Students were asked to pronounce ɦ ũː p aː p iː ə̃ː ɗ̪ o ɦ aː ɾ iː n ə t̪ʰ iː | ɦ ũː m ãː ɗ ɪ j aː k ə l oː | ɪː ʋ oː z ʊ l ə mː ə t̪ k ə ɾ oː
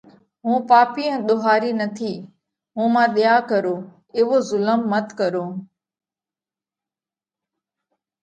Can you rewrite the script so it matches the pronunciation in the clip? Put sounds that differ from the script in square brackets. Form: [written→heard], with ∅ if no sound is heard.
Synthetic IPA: ɦ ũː p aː p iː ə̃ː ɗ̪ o ɦ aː ɾ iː n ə t̪ʰ iː | ɦ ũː m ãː ɗ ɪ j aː k ə [l→ɾ] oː | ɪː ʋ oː z ʊ l ə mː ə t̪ k ə ɾ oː